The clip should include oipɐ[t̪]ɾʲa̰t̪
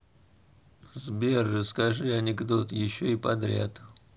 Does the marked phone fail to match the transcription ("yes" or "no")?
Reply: yes